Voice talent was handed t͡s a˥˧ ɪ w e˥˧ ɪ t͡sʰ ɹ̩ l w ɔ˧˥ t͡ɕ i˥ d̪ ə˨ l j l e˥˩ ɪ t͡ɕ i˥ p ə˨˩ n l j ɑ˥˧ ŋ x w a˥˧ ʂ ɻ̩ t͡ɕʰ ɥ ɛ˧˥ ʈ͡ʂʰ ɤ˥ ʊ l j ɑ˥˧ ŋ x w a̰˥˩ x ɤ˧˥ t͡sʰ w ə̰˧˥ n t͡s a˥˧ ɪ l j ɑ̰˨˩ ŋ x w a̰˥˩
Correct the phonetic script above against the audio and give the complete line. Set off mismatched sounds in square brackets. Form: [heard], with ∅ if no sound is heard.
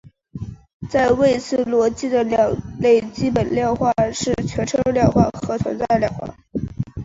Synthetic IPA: t͡s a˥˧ ɪ w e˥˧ ɪ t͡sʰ ɹ̩ l w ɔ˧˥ t͡ɕ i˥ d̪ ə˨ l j l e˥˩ ɪ t͡ɕ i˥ p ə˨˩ n l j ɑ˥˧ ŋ x w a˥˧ ʂ ɻ̩ t͡ɕʰ ɥ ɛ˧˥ ʈ͡ʂʰ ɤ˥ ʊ l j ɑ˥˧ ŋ x w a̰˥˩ x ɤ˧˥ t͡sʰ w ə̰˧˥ n t͡s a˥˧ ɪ l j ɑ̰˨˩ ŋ x w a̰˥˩